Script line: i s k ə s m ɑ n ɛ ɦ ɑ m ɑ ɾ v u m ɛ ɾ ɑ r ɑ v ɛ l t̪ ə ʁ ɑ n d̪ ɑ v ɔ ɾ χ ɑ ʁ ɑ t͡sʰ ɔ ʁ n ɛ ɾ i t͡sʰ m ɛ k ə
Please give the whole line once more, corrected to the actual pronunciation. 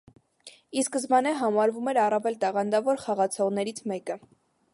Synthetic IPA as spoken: i s k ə z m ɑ n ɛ ɦ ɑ m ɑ ɾ v u m ɛ ɾ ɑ r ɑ v ɛ l t̪ ɑ ʁ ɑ n d̪ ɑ v ɔ ɾ χ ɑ ʁ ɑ t͡sʰ ɔ ʁ n ɛ ɾ i t͡sʰ m ɛ k ə